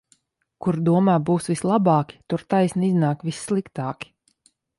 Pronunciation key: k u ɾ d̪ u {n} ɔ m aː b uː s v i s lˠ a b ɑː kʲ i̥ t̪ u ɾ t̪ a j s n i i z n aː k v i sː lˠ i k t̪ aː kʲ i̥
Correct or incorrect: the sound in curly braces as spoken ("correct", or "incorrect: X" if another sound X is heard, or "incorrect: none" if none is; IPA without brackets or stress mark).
incorrect: none